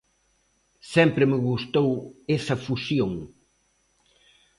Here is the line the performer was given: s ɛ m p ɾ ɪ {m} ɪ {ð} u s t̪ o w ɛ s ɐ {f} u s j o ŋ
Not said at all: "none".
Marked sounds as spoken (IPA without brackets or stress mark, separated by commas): m, ɣ, f